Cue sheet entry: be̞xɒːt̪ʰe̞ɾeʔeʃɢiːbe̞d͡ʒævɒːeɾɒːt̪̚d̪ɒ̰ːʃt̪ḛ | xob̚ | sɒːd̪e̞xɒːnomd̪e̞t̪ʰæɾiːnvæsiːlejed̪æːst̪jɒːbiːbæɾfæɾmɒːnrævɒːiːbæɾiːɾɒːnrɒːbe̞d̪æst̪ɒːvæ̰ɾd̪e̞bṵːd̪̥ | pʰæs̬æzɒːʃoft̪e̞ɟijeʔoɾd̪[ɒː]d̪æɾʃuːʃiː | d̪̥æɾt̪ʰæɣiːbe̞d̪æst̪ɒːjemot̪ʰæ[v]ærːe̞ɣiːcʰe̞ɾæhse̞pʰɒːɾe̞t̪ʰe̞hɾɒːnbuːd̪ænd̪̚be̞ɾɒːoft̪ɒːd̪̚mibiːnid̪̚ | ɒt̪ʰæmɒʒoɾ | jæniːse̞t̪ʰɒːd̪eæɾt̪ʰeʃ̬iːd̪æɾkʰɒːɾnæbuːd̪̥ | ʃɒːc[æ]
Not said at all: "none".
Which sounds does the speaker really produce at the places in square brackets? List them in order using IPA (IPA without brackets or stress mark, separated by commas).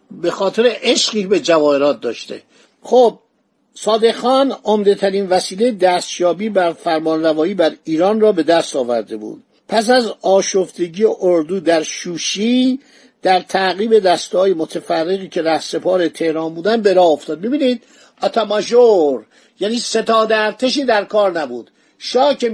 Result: uː, f, e